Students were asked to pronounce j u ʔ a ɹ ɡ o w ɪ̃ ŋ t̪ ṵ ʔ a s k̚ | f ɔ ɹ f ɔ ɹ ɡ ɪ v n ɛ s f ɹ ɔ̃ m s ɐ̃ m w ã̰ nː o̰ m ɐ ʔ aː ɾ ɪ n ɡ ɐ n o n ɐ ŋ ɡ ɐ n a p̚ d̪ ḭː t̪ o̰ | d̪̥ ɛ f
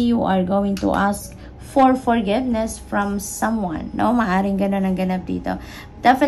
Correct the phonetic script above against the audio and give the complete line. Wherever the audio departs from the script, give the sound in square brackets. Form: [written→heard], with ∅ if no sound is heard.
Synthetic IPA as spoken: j u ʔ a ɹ ɡ o w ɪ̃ ŋ t̪ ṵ ʔ a s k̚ | f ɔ ɹ f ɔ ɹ ɡ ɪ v n ɛ s f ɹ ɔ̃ m s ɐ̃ m w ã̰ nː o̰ m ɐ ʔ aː ɾ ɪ [n→ŋ] ɡ ɐ n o n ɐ ŋ ɡ ɐ n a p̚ d̪ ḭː t̪ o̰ | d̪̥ ɛ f